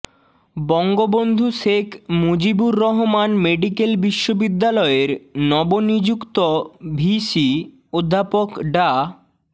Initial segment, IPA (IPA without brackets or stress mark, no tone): b